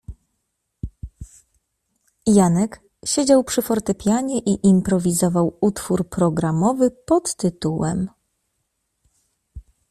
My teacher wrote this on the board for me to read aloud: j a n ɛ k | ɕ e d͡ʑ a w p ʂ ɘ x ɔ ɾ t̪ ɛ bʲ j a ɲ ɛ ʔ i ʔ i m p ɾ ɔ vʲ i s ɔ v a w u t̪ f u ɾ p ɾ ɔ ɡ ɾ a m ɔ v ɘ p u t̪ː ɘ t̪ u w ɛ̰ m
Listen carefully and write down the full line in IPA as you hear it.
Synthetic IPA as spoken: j a n ɛ k | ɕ e d͡ʑ a w p ʂ ɘ f ɔ ɾ t̪ ɛ pʲ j a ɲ ɛ ʔ i ʔ i m p ɾ ɔ vʲ i z ɔ v a w u t̪ f u ɾ p ɾ ɔ ɡ ɾ a m ɔ v ɘ p ɔ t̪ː ɘ t̪ u w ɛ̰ m